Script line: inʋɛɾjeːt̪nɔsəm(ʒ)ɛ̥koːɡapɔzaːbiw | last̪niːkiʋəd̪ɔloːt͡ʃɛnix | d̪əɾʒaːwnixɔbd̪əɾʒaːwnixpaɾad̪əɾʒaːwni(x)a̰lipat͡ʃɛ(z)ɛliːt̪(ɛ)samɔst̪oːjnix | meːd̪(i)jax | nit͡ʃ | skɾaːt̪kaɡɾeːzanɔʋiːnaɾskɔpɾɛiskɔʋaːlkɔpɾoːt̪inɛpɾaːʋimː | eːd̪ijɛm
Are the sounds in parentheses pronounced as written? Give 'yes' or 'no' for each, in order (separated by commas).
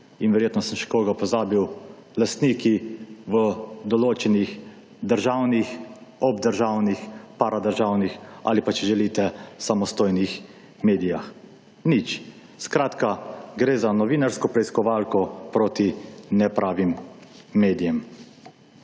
no, yes, no, yes, yes